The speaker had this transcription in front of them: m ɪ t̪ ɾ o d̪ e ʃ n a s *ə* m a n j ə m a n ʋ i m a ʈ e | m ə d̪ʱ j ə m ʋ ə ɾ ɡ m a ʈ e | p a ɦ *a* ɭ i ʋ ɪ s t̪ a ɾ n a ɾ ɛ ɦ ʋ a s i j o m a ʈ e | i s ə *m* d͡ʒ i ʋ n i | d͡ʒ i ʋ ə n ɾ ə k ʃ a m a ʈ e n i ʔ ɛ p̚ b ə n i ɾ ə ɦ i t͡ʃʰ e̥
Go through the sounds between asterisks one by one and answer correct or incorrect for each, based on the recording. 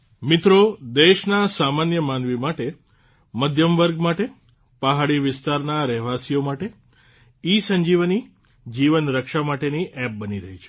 incorrect: a, correct, incorrect: ɲ

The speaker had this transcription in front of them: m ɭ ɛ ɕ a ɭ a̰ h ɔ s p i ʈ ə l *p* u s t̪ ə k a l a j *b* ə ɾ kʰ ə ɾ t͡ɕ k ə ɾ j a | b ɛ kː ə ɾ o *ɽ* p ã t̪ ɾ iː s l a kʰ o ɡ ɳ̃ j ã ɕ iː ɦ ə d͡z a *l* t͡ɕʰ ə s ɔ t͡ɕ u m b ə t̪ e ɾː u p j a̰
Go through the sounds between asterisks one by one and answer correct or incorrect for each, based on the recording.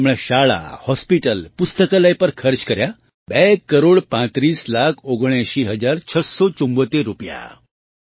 correct, incorrect: p, correct, incorrect: ɾ

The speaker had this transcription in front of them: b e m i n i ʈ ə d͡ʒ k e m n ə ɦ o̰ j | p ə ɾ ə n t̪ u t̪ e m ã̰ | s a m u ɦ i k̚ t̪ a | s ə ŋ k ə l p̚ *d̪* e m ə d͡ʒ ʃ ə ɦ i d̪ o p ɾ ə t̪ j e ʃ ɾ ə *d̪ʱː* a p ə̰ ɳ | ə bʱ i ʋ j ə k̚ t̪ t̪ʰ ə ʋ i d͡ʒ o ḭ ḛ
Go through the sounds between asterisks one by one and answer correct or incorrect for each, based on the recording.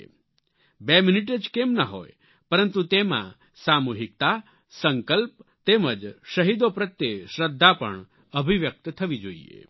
incorrect: t̪, correct

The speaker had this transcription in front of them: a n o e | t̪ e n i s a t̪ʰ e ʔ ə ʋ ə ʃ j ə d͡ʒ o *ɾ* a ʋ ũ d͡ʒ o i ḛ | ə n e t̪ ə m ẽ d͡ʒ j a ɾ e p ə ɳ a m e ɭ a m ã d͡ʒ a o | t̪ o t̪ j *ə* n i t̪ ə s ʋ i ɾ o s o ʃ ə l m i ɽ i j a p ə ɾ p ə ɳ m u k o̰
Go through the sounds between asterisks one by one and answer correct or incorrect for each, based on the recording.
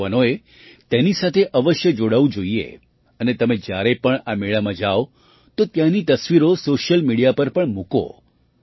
incorrect: ɽ, incorrect: a

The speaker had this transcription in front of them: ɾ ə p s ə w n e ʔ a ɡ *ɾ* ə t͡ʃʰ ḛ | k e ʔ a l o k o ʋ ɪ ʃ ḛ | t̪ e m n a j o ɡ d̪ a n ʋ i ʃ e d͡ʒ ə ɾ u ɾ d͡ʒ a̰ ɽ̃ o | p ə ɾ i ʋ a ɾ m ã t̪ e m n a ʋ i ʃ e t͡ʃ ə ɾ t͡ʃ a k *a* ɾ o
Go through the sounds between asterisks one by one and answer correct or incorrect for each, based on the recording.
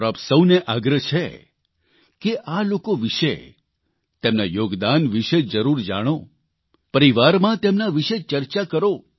correct, incorrect: ə

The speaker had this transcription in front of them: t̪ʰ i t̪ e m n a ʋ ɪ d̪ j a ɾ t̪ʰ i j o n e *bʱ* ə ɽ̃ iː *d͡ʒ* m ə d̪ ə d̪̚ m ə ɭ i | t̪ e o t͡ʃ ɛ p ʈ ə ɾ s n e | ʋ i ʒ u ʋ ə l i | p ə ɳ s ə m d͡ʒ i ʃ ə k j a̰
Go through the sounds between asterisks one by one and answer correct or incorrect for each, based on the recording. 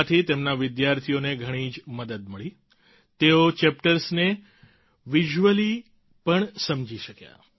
incorrect: ɡʱ, correct

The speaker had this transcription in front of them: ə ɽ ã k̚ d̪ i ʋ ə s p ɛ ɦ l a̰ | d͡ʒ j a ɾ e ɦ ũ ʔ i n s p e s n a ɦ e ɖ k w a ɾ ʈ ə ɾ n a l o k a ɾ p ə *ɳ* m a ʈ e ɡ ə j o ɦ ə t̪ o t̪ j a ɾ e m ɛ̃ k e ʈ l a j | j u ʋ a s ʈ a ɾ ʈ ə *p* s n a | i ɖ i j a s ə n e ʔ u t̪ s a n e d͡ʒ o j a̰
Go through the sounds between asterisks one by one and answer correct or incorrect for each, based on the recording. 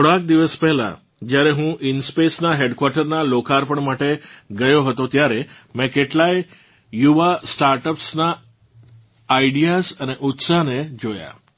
correct, correct

